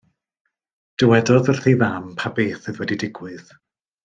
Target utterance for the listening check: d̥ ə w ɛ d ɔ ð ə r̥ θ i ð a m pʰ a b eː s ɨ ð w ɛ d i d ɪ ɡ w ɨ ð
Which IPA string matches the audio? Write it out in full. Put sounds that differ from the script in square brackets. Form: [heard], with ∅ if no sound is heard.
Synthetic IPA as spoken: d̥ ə w ɛ d ɔ ð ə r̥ θ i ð a m pʰ a b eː [θ] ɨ ð w ɛ d i d ɪ ɡ w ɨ ð